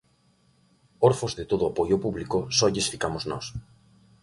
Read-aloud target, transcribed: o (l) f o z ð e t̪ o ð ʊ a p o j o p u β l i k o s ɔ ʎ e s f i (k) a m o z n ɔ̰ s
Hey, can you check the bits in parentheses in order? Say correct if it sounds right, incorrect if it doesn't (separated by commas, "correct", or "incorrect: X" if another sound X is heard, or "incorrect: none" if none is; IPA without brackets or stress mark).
incorrect: ɾ, correct